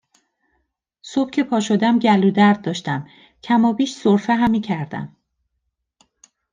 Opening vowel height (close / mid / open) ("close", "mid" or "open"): mid